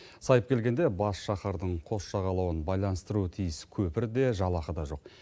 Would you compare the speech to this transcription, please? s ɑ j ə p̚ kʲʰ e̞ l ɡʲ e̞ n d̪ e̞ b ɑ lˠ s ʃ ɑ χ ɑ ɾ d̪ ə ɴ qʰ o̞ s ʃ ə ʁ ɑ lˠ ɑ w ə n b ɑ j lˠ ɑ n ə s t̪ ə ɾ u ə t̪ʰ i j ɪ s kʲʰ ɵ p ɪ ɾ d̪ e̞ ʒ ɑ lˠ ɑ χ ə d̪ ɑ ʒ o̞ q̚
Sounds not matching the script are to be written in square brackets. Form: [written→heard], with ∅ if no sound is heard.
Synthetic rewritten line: s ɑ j ə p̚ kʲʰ e̞ l ɡʲ e̞ n d̪ e̞ b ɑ [lˠ→∅] s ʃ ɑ χ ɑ ɾ d̪ ə ɴ qʰ o̞ s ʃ [ə→ɑ] ʁ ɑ lˠ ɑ w ə n b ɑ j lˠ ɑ n ə s t̪ ə ɾ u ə t̪ʰ i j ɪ s kʲʰ ɵ p ɪ ɾ d̪ e̞ ʒ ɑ lˠ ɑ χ ə d̪ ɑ ʒ o̞ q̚